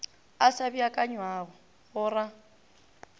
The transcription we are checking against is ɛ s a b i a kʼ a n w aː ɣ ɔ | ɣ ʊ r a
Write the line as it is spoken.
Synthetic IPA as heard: a s a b i a kʼ a ɲ w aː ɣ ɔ | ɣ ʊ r a